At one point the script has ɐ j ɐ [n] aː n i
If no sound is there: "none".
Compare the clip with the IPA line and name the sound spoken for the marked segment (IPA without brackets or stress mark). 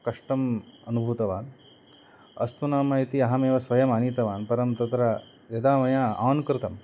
m